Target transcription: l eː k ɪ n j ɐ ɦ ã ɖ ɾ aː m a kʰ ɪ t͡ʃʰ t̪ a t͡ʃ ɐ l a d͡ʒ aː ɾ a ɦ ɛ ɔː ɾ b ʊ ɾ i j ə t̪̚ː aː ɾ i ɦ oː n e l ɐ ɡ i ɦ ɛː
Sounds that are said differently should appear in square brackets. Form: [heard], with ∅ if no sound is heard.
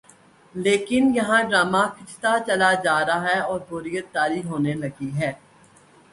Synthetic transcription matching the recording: l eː k ɪ n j ɐ ɦ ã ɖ ɾ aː m a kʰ ɪ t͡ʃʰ t̪ a t͡ʃ ɐ l a d͡ʒ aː ɾ a ɦ ɛ ɔː ɾ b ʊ ɾ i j ə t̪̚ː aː ɾ i ɦ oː n e l ɐ ɡ i ɦ ɛː